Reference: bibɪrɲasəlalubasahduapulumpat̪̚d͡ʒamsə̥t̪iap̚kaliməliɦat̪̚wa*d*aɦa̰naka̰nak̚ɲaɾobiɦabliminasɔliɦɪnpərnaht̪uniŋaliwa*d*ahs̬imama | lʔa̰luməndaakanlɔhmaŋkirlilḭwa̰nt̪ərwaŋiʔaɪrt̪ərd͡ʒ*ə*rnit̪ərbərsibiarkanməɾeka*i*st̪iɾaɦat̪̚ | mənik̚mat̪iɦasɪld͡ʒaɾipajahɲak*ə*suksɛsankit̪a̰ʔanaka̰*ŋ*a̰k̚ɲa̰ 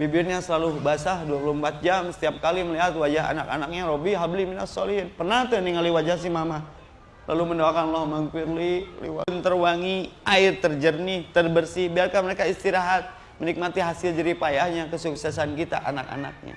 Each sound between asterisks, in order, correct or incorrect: incorrect: d͡ʒ, incorrect: d͡ʒ, correct, correct, correct, incorrect: n

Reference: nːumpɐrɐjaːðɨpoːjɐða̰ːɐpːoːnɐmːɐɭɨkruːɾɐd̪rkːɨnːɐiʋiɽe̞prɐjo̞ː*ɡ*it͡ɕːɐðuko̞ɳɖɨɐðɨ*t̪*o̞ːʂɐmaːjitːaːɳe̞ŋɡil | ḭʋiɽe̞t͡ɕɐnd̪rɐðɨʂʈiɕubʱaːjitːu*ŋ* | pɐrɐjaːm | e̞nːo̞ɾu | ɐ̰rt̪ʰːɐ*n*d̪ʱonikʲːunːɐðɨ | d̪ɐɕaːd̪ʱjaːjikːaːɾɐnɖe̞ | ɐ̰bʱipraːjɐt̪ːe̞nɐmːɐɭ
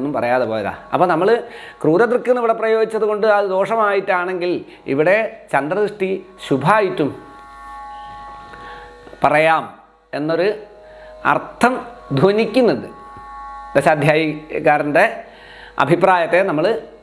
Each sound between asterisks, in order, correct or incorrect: correct, incorrect: d̪, incorrect: m, incorrect: m

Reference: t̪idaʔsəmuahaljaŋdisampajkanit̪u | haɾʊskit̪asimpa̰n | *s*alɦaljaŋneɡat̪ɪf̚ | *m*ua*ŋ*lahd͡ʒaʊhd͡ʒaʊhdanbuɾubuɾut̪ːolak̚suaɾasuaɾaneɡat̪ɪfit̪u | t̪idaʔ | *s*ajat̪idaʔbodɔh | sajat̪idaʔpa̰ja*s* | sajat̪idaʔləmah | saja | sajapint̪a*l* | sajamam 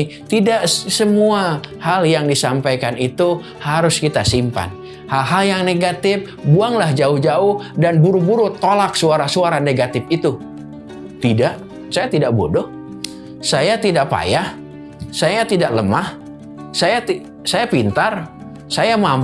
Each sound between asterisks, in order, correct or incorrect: incorrect: h, incorrect: b, correct, correct, incorrect: h, incorrect: r

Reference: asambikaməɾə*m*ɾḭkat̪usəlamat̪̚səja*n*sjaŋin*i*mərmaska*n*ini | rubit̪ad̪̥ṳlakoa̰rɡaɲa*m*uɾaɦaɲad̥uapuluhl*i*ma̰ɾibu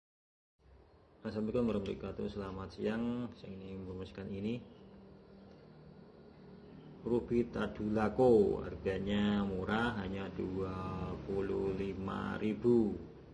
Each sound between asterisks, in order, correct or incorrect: correct, incorrect: ŋ, correct, correct, correct, correct

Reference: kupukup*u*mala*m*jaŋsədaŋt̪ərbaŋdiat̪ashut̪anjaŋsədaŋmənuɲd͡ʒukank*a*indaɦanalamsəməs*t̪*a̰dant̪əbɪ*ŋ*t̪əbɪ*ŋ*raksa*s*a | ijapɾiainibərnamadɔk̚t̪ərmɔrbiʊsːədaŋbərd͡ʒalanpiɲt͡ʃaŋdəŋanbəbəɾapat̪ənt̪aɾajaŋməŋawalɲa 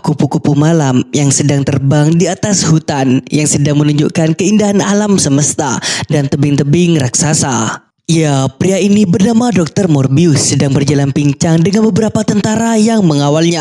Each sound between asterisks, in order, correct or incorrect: correct, correct, incorrect: ə, correct, correct, correct, correct

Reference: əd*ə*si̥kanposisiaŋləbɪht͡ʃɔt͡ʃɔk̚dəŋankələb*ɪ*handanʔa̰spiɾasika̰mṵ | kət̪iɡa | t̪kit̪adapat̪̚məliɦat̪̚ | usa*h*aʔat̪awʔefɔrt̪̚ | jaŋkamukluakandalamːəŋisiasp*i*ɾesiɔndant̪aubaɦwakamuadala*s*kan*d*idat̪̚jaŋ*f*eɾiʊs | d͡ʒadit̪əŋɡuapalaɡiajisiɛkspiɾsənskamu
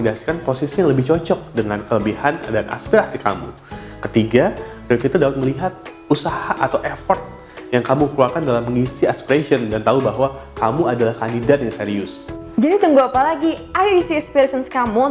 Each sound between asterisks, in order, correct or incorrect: incorrect: a, incorrect: i, correct, correct, incorrect: h, correct, incorrect: s

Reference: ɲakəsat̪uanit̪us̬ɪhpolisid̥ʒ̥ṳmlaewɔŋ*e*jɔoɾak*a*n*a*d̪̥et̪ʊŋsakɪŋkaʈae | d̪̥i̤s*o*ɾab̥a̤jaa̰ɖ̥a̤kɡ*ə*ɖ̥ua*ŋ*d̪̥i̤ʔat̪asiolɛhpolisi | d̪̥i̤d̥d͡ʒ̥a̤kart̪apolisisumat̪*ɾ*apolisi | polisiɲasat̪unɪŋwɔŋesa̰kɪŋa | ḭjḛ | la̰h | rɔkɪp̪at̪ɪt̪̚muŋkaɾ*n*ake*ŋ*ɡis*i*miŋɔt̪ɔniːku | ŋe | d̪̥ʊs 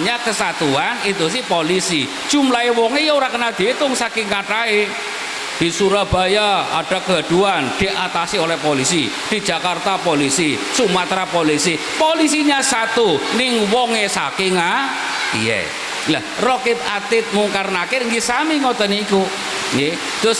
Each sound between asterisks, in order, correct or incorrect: correct, incorrect: ə, correct, incorrect: u, incorrect: a, incorrect: n, correct, correct, correct, incorrect: a

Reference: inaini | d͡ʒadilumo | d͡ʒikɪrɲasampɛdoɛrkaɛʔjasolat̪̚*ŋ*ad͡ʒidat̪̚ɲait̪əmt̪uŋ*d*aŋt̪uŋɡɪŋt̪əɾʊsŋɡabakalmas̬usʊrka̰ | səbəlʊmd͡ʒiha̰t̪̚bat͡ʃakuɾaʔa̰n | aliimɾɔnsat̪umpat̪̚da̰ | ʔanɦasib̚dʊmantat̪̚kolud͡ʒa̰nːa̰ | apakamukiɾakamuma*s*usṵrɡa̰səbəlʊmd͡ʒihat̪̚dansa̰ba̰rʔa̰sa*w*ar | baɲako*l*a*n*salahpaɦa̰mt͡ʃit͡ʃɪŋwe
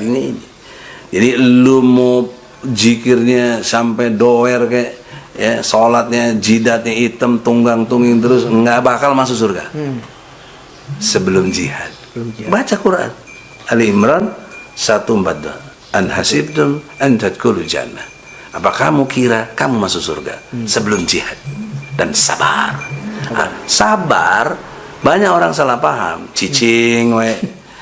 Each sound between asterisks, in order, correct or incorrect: incorrect: ɲ, incorrect: ɡ, correct, incorrect: b, incorrect: ɾ, incorrect: ŋ

